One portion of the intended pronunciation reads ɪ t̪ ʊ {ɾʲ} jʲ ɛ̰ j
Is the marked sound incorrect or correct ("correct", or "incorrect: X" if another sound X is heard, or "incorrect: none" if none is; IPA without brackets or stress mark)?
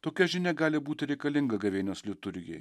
correct